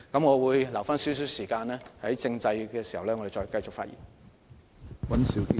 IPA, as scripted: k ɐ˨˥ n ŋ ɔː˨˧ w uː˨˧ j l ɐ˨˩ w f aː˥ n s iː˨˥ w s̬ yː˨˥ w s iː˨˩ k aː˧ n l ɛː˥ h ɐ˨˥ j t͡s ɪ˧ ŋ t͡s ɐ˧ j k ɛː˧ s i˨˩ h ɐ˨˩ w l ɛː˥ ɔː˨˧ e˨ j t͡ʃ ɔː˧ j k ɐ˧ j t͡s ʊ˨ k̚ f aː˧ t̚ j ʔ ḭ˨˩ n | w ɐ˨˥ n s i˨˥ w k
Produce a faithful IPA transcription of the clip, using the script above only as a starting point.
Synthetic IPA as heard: k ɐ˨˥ m ŋ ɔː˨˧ w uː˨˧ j l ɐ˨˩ w f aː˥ n s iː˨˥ w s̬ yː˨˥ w s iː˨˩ k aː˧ n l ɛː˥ h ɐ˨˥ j t͡s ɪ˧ ŋ t͡s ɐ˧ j k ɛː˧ s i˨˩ h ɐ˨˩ w l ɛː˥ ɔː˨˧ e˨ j t͡ʃ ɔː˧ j k ɐ˧ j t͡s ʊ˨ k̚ f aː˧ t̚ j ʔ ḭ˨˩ n | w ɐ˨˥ n s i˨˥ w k